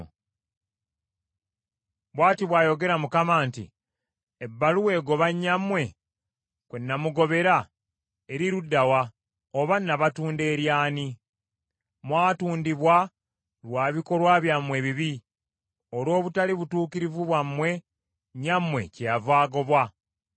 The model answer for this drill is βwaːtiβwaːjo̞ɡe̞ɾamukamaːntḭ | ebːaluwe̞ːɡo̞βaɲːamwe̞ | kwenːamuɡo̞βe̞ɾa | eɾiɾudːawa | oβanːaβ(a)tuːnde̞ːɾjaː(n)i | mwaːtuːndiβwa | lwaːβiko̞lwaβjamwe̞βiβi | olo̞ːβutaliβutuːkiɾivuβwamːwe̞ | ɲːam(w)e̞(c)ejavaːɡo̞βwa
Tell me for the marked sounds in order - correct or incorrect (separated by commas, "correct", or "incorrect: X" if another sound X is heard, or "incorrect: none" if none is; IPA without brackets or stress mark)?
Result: correct, correct, correct, correct